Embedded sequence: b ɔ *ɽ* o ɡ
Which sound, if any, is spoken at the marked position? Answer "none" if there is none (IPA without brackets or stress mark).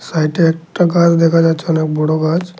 ɽ